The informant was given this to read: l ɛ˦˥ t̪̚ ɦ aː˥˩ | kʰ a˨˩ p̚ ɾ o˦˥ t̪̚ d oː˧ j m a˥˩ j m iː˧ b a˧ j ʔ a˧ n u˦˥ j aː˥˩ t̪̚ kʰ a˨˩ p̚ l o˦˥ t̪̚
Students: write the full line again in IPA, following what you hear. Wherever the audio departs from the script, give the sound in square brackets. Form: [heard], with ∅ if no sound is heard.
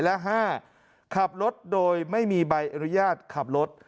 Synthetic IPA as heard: l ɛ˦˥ [∅] ɦ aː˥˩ | kʰ a˨˩ p̚ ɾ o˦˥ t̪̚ d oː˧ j m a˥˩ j m iː˧ b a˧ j ʔ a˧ n u˦˥ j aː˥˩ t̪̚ kʰ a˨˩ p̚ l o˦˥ t̪̚